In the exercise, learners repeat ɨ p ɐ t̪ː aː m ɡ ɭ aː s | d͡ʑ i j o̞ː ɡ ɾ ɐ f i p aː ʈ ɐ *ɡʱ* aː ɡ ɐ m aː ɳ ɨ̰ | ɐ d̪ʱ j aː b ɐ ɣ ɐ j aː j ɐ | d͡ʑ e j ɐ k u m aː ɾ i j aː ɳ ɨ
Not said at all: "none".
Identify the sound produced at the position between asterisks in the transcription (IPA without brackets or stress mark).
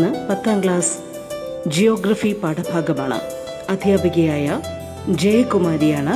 bʱ